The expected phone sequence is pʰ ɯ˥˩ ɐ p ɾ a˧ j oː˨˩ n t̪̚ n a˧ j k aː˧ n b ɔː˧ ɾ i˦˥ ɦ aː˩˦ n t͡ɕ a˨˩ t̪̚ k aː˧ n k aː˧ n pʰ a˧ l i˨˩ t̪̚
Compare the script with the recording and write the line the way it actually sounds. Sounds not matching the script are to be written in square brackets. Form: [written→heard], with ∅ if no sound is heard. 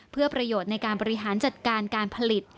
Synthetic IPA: pʰ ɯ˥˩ ɐ p ɾ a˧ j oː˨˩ [n→∅] t̪̚ n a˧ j k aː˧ n b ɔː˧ ɾ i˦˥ ɦ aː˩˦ n t͡ɕ a˨˩ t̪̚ k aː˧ n k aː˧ n pʰ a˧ l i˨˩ t̪̚